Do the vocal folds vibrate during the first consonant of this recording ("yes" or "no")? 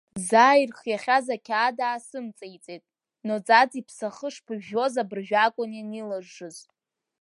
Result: yes